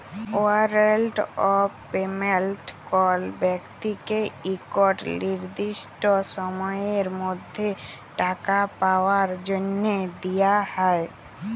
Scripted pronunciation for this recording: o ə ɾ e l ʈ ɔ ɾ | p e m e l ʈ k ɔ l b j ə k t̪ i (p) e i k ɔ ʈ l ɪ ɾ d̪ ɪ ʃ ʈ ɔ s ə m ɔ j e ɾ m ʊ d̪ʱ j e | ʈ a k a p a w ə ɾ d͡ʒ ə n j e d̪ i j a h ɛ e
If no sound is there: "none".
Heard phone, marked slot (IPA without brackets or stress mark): k